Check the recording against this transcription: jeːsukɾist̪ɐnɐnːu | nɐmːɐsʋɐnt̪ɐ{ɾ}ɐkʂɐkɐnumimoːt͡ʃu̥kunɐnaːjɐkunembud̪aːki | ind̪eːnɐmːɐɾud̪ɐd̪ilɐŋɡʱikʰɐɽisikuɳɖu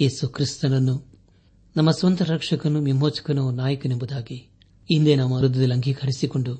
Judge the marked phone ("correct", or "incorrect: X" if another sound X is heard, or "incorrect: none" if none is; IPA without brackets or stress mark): correct